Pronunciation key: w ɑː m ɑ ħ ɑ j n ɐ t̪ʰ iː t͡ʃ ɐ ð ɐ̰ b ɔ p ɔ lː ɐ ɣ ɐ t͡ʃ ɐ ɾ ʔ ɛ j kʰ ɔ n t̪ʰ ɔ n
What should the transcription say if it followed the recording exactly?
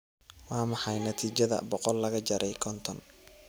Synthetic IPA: w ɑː m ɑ ħ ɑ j n ɐ t̪ʰ iː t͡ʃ ɐ ð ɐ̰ b ɔ q ɔ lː ɐ ɣ ɐ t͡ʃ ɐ ɾ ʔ ɛ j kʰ ɔ n t̪ʰ ɔ n